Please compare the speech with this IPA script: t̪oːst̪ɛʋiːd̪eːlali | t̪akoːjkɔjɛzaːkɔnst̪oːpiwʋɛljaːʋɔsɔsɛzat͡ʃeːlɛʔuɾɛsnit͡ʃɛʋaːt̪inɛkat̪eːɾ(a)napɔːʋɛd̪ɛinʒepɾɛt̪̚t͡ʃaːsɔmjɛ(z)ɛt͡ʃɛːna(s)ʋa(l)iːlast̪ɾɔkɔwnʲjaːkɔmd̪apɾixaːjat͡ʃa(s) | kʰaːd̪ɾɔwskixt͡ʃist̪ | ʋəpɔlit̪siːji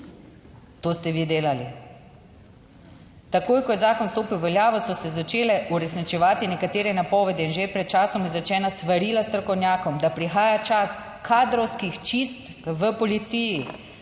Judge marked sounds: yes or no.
no, yes, yes, no, yes

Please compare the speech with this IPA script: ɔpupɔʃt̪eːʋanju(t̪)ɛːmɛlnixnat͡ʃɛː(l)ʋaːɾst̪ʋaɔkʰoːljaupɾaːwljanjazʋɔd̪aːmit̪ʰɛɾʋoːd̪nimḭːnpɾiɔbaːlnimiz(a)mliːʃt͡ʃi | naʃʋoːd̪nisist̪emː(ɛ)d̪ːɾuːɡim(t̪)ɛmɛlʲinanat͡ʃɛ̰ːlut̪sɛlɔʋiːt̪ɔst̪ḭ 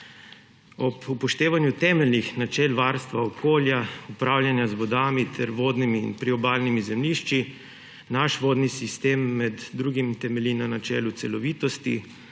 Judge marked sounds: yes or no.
yes, yes, no, yes, yes

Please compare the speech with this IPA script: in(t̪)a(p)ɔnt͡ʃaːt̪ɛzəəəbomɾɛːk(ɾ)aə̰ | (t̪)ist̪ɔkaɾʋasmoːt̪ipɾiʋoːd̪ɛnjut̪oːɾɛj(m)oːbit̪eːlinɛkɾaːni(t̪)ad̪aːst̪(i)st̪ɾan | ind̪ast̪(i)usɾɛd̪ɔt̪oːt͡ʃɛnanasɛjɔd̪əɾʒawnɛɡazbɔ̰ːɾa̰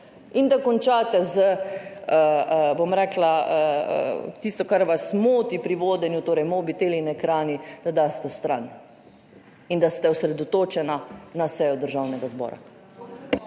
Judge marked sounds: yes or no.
no, no, no, yes, yes, no, no, no

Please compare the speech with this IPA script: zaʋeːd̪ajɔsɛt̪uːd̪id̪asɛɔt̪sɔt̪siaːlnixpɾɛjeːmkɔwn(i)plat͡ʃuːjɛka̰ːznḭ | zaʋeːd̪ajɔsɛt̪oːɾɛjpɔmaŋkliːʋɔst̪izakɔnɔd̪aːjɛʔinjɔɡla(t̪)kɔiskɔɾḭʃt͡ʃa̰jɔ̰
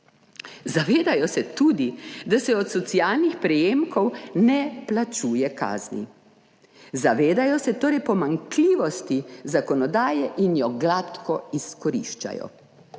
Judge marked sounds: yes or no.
no, yes

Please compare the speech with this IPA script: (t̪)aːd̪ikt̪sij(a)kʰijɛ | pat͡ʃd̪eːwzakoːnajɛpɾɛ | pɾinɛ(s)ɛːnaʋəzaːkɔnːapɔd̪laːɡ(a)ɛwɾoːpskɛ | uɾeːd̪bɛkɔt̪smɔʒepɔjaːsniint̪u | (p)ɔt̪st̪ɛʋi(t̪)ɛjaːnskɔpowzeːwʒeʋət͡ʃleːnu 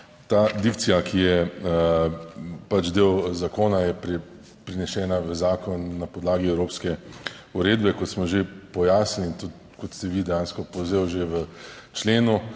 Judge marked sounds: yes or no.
yes, yes, no, no, no, no

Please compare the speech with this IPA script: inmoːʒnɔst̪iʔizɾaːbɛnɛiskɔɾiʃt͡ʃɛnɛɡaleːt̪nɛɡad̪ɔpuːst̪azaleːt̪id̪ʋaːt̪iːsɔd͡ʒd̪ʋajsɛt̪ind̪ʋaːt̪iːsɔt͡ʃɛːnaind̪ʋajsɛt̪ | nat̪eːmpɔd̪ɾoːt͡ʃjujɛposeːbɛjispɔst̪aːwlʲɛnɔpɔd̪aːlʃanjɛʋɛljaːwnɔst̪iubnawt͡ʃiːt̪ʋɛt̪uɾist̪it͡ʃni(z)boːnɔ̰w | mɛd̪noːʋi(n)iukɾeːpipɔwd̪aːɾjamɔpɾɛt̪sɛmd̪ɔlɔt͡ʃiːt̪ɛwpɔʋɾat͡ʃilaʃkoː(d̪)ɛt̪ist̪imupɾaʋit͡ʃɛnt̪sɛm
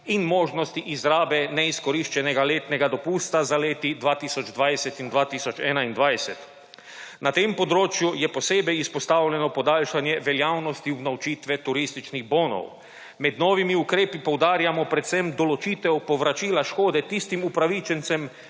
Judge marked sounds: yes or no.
no, no, yes

